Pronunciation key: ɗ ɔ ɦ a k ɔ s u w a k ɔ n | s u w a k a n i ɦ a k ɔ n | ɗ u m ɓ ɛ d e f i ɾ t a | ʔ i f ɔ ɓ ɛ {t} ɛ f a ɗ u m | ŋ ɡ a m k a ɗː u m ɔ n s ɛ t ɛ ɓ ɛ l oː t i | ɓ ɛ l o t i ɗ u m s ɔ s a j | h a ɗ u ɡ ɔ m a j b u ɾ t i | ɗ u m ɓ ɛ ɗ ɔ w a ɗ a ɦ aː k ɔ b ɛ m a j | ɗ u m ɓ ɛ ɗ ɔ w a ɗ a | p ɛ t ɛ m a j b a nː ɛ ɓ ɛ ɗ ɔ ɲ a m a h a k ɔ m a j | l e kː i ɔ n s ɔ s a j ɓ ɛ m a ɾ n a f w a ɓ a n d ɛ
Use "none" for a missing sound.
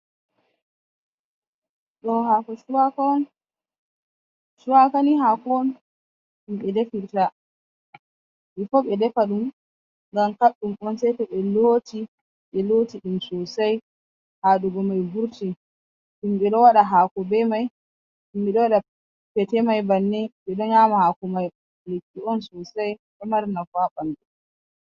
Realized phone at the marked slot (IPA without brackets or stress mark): d